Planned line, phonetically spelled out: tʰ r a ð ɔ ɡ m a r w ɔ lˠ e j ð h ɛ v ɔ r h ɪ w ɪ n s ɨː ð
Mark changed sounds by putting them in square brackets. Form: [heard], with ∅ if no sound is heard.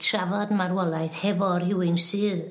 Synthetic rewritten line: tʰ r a [v] ɔ [d] m a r w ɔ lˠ [a] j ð h ɛ v ɔ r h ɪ w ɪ n s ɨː ð